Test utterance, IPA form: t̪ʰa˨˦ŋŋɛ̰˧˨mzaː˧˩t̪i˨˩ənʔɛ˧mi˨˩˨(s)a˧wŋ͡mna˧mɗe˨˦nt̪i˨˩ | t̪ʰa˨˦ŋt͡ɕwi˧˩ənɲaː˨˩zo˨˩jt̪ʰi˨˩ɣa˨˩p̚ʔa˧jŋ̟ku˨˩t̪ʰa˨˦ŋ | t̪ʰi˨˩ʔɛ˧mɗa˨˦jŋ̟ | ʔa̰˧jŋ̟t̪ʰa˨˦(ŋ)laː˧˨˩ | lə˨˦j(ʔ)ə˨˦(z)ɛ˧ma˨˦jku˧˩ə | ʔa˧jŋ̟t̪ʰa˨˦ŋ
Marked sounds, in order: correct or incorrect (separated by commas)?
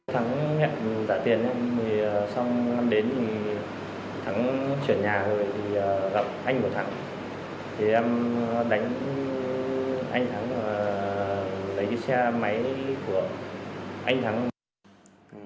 correct, correct, incorrect, incorrect